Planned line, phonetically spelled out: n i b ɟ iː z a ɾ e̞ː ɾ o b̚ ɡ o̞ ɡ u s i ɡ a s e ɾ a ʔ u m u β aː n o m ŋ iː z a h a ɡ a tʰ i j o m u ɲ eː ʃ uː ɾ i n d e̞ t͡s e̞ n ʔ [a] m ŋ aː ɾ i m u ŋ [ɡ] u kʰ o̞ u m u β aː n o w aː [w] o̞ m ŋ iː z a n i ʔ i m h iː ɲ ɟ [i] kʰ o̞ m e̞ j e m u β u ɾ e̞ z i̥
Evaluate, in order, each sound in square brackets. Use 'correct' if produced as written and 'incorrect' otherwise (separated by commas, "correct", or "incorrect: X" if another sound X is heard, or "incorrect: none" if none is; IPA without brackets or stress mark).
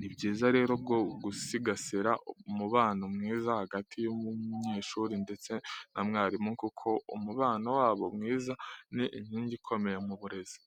correct, incorrect: k, incorrect: β, correct